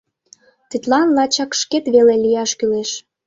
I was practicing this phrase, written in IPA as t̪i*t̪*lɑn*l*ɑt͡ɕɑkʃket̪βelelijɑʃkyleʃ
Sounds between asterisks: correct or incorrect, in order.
correct, correct

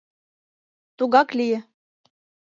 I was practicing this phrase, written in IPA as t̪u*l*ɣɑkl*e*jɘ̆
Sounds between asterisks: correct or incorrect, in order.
incorrect: none, incorrect: i

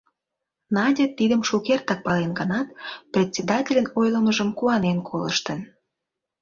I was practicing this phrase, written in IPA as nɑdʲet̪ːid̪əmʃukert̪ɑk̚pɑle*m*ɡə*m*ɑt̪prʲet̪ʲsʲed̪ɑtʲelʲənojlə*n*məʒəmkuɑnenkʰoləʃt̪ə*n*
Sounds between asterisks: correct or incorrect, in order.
incorrect: n, incorrect: n, incorrect: none, correct

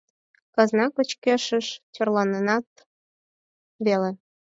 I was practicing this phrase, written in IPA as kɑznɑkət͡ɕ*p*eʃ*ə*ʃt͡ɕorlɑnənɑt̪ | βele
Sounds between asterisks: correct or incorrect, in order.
incorrect: k, correct

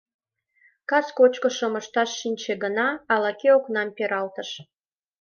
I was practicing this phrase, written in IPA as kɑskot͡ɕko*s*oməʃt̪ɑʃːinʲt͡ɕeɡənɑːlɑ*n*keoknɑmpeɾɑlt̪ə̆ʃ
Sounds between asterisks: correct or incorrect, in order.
incorrect: ʃ, incorrect: none

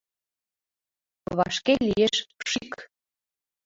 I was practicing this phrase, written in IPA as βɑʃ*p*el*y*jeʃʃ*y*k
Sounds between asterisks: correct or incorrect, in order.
incorrect: k, incorrect: i, incorrect: i

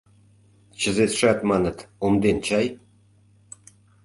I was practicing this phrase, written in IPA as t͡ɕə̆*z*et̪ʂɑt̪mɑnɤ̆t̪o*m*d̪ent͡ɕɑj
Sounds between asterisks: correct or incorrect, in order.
correct, correct

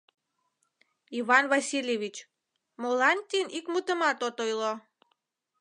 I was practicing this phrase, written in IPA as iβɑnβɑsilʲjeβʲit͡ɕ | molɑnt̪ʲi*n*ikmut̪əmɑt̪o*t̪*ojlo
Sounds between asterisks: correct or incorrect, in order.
correct, correct

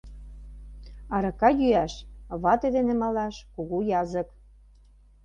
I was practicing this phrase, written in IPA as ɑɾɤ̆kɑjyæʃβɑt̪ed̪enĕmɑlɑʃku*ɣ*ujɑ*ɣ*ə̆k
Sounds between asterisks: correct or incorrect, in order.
correct, incorrect: z

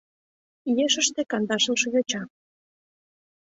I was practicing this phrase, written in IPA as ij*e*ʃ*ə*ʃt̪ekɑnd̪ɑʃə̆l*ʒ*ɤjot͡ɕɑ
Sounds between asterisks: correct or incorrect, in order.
correct, correct, incorrect: ʃ

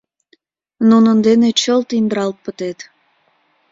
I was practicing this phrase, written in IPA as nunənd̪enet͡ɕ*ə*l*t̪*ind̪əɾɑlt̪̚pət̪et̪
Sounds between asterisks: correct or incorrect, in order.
correct, correct

